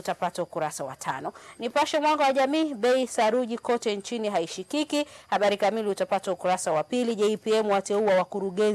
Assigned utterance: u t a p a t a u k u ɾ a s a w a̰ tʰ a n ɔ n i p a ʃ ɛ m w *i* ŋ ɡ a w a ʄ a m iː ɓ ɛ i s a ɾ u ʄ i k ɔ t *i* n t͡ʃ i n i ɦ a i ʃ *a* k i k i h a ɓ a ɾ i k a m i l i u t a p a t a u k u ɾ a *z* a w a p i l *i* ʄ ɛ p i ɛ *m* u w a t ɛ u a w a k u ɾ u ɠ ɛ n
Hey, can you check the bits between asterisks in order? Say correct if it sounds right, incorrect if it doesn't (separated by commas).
incorrect, incorrect, incorrect, incorrect, correct, correct